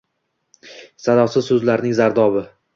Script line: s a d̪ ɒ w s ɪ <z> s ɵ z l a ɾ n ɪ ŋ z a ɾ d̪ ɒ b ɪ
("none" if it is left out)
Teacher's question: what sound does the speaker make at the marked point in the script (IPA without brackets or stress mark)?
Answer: z